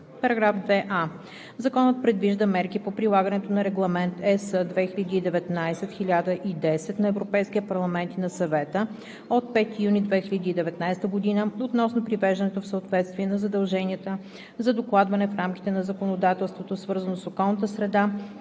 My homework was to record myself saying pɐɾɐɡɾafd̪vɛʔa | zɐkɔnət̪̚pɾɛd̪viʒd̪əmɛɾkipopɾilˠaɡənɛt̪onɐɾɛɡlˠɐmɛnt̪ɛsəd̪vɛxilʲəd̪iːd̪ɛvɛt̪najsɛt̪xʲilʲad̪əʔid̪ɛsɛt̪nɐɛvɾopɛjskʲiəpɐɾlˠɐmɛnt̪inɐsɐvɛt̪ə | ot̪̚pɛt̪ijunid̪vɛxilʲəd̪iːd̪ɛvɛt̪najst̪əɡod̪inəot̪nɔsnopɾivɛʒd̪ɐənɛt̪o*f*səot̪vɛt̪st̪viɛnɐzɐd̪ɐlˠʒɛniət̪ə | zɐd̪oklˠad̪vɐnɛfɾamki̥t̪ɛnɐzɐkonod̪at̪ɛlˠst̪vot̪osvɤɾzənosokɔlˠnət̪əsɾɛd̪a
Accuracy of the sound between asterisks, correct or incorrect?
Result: correct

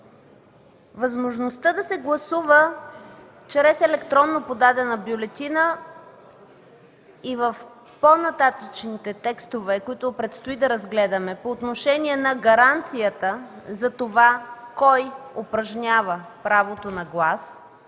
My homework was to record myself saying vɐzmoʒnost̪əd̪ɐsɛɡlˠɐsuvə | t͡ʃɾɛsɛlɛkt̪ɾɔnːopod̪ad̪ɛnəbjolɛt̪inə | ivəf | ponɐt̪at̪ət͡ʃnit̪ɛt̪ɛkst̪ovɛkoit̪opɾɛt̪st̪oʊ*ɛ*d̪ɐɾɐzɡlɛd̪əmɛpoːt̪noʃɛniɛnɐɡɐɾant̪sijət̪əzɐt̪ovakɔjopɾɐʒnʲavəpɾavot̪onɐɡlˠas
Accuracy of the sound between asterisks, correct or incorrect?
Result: incorrect: i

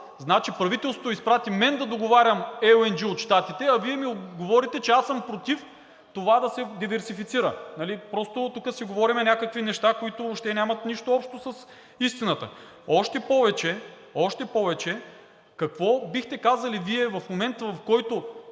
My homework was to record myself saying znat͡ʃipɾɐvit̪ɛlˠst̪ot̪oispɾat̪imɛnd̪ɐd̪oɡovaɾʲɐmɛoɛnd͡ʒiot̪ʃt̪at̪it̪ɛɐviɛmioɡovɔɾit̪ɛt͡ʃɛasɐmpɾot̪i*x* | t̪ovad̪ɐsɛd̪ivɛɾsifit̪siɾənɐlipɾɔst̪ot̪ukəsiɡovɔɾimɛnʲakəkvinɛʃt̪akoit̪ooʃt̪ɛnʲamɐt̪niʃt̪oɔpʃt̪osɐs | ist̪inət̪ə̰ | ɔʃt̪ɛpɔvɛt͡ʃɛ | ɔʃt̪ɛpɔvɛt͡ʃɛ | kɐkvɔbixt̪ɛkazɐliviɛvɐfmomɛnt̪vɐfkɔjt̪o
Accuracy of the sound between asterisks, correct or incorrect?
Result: incorrect: f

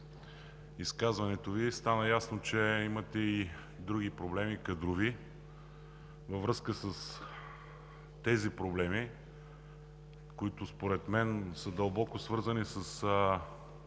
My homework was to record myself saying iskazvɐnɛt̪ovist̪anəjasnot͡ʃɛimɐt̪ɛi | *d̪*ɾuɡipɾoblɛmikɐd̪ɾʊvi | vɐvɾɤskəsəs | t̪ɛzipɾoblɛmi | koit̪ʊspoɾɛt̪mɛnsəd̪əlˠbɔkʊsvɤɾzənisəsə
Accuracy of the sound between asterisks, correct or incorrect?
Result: correct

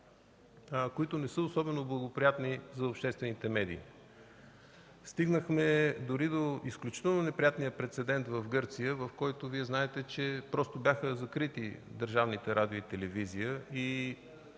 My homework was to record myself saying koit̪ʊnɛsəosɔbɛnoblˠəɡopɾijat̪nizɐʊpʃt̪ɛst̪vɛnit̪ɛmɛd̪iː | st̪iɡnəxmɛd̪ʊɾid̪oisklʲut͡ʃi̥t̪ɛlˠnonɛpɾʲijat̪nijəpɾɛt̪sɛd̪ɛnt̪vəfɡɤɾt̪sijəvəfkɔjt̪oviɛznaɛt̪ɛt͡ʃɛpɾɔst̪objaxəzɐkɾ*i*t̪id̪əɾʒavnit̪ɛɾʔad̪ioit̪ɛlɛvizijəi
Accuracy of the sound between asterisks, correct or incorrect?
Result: correct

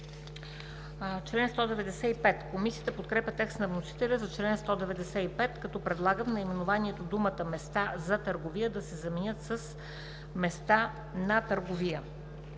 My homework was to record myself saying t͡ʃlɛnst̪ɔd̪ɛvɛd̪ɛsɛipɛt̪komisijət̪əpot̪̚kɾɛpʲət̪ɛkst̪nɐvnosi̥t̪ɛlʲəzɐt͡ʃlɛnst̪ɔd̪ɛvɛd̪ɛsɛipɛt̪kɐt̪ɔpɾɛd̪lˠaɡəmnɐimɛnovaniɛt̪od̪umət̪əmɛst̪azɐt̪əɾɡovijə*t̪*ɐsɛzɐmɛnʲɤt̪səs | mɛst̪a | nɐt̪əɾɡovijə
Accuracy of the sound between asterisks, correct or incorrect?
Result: incorrect: d̪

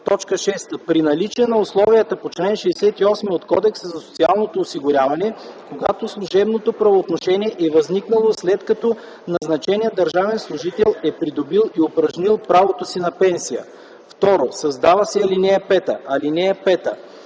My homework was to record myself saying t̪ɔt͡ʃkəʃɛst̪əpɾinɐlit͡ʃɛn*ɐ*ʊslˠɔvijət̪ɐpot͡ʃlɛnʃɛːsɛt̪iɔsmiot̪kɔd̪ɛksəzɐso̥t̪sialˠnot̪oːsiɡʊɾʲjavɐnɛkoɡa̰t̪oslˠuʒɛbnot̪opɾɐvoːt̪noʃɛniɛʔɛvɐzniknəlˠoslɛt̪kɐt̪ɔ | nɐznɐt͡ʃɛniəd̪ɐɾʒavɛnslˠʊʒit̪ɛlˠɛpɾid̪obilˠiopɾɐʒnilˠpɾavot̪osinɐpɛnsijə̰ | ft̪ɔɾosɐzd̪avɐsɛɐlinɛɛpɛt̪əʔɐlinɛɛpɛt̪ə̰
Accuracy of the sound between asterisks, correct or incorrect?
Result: correct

